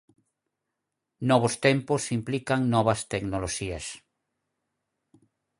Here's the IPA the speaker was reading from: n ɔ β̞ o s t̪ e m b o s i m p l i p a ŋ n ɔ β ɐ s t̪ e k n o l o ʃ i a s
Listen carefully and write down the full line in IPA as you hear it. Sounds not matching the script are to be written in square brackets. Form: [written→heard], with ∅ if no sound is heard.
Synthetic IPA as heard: n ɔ β̞ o s t̪ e m [b→p] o s i m p l i [p→k] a ŋ n ɔ β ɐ s t̪ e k n o l o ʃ i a s